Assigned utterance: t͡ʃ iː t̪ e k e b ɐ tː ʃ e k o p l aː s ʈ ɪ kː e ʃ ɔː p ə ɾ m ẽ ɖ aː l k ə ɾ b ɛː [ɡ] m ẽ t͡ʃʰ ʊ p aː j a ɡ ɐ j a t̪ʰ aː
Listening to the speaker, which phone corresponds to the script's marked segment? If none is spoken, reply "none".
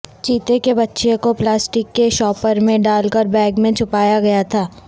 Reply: ɡ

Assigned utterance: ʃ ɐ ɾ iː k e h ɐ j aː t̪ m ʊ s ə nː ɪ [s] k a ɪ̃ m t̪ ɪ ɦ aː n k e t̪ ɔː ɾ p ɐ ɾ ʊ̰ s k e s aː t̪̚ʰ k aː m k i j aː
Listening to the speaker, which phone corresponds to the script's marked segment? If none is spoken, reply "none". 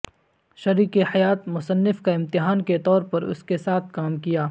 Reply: f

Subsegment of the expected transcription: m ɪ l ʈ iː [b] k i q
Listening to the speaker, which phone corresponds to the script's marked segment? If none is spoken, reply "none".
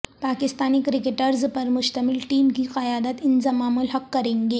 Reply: m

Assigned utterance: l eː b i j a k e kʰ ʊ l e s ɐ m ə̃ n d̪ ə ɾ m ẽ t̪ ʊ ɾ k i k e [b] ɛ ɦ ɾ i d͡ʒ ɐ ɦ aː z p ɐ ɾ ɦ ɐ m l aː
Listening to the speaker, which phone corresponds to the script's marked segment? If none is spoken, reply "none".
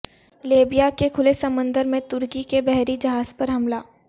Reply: b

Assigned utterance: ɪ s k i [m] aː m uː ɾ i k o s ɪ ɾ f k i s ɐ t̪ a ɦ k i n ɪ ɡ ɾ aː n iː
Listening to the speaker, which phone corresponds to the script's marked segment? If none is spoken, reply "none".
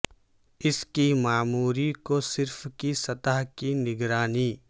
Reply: m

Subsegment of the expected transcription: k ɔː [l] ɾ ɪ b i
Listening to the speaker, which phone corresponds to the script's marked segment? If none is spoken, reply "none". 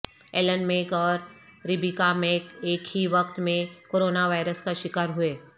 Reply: ɾ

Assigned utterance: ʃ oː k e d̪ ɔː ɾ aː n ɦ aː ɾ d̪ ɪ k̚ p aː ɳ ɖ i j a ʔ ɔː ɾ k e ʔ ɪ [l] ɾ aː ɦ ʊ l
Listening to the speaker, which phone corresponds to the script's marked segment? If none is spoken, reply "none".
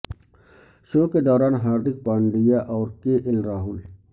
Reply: l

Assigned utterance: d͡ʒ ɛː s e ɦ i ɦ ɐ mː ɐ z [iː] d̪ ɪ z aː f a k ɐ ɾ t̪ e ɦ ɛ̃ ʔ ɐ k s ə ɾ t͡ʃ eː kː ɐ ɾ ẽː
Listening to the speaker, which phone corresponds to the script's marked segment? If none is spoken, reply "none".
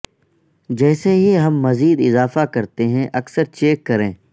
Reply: iː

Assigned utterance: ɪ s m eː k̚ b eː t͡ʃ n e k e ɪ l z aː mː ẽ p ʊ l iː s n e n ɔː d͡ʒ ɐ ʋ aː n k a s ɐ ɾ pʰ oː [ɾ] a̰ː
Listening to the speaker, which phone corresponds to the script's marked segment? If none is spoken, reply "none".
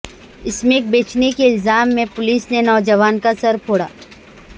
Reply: ɽ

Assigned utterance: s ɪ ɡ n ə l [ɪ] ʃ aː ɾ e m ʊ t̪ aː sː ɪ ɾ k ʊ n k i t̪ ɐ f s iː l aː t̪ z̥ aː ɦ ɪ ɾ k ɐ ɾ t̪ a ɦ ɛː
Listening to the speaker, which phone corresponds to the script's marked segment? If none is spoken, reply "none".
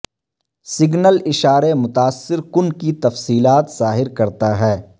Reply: ɪ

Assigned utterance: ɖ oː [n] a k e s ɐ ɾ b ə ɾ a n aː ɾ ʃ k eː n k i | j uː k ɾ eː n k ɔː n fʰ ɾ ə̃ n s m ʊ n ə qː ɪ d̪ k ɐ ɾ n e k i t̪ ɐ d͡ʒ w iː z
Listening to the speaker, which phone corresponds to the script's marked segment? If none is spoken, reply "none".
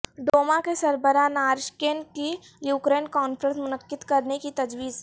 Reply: m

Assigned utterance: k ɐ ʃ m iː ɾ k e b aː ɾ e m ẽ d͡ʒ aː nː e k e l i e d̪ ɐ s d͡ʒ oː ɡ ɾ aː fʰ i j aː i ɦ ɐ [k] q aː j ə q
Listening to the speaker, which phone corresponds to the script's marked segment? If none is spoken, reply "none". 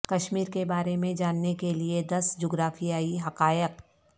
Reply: none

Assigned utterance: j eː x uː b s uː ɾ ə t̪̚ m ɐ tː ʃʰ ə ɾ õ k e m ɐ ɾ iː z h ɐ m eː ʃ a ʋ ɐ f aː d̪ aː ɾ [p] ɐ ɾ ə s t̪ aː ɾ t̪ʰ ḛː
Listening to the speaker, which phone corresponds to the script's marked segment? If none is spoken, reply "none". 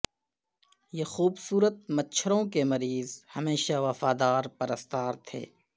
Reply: p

